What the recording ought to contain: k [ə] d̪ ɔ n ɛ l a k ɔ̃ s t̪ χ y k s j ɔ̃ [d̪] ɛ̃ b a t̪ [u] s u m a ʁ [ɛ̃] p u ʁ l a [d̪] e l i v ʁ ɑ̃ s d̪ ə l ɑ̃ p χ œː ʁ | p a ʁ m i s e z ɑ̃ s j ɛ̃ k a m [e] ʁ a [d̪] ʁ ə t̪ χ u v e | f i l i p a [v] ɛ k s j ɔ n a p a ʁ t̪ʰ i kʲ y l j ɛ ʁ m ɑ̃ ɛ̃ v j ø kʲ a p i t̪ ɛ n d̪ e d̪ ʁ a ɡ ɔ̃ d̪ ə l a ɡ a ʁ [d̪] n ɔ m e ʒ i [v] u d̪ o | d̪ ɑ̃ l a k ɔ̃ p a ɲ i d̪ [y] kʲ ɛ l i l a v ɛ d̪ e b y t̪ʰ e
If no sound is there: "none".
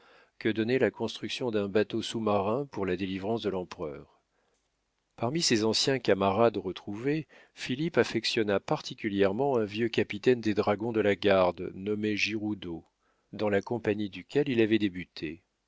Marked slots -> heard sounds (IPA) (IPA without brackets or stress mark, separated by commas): ə, d̪, o, ɛ̃, d̪, a, d̪, f, d̪, ʁ, y